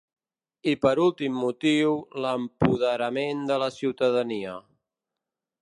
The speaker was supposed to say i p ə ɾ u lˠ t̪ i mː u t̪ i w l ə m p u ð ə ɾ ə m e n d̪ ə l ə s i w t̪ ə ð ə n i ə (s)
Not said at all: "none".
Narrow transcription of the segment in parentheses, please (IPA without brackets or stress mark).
none